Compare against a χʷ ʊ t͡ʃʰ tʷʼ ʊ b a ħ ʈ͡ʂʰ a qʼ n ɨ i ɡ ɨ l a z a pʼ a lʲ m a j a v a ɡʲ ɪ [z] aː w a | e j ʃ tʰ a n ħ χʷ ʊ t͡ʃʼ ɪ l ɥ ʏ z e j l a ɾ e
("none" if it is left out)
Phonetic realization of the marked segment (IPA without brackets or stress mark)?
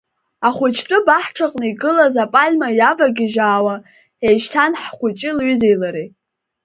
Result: ʒ